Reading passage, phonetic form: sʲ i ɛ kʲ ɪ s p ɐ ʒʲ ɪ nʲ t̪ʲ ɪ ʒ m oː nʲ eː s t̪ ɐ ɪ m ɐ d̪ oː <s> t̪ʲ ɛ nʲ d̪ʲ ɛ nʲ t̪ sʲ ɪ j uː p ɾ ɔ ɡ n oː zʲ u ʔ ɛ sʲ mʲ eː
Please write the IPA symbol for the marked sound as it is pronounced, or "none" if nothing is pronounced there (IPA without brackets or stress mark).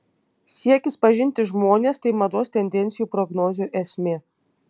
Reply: s